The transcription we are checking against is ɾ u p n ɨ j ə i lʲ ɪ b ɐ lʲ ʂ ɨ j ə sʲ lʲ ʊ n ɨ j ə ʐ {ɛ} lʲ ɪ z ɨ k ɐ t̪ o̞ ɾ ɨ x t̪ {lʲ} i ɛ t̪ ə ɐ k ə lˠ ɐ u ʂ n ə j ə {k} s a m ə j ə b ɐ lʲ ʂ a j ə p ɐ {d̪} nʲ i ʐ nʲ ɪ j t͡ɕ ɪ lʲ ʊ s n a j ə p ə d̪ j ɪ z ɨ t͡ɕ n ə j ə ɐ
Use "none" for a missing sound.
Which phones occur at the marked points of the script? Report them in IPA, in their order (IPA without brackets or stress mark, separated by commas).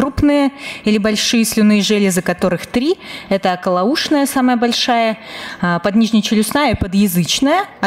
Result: ɛ, ɾʲ, none, d̪